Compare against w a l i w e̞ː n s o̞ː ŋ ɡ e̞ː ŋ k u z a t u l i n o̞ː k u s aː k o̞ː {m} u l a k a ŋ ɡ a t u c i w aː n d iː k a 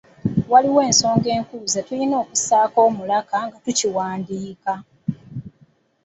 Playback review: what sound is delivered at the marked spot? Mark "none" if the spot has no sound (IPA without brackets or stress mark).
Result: m